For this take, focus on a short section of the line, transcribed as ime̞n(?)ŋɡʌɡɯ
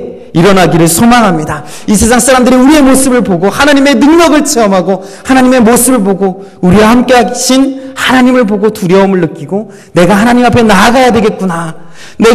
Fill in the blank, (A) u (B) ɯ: B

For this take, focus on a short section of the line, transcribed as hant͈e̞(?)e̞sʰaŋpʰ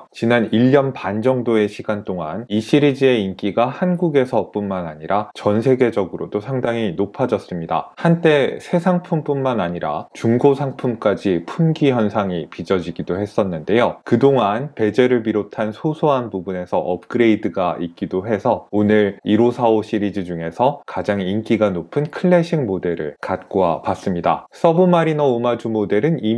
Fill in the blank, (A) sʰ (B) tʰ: A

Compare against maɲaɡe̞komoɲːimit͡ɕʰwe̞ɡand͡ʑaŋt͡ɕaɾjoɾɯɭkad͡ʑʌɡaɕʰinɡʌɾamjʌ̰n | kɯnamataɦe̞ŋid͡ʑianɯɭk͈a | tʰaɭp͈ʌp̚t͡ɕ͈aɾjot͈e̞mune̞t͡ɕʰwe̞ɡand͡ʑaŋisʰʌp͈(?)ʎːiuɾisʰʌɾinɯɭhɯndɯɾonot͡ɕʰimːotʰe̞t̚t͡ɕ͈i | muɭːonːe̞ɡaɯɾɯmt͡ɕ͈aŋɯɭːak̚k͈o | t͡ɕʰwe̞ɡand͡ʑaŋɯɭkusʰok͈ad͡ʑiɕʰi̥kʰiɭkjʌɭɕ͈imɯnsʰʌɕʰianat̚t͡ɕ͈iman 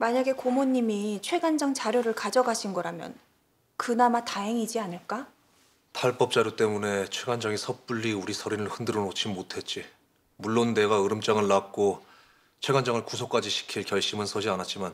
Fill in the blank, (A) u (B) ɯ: A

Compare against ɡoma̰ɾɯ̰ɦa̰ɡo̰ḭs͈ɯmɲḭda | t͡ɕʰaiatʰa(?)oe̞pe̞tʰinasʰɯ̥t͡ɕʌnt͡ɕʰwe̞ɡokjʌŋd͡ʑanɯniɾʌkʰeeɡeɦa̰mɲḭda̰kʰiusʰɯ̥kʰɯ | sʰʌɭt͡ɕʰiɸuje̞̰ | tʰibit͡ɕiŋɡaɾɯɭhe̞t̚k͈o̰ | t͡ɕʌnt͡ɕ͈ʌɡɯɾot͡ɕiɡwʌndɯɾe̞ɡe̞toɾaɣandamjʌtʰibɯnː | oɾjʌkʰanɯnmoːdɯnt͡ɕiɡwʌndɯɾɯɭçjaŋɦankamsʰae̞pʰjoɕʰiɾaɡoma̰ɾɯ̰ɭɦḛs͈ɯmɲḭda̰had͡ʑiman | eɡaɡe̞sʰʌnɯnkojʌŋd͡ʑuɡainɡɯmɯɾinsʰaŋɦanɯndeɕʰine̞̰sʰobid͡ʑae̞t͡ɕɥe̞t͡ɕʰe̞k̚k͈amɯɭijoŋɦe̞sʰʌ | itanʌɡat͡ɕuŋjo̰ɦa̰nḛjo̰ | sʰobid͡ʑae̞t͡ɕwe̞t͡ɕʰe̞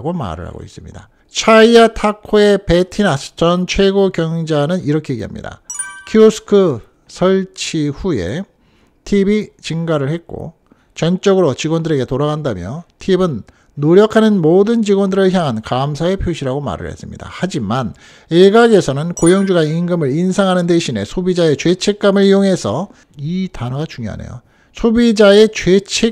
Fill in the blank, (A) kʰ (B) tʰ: A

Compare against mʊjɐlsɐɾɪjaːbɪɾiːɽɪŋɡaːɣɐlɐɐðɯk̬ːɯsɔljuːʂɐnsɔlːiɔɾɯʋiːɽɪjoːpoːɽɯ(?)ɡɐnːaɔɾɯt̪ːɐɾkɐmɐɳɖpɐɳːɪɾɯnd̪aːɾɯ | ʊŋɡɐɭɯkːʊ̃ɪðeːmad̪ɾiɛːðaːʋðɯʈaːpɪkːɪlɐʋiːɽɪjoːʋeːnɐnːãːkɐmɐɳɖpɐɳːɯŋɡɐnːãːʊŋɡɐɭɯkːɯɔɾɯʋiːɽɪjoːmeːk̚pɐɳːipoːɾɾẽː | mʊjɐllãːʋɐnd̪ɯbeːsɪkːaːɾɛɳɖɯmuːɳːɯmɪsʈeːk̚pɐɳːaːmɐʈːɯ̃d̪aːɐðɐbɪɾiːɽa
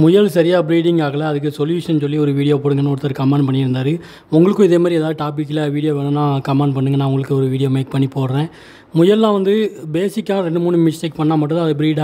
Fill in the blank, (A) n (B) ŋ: B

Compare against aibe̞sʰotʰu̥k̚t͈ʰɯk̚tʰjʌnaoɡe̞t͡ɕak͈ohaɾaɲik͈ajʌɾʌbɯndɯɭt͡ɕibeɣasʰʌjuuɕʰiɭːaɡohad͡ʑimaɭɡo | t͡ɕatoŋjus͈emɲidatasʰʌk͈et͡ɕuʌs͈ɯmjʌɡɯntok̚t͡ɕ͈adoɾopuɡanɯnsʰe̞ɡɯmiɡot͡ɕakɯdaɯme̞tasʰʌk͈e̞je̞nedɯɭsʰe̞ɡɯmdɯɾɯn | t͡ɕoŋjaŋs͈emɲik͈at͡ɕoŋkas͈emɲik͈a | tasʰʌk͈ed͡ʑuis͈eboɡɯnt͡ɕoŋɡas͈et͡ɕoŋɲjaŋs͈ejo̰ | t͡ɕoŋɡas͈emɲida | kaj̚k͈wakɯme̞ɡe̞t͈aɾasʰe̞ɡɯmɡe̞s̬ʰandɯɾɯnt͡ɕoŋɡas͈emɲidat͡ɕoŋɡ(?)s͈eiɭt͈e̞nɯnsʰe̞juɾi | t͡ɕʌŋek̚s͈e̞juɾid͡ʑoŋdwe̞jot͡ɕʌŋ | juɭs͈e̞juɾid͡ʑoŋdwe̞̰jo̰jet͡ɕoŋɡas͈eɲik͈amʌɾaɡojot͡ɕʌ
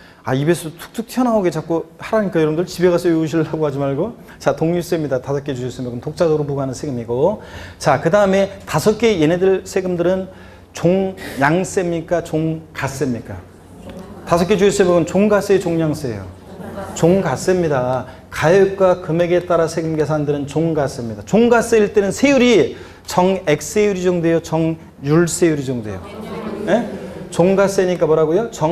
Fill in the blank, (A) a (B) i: A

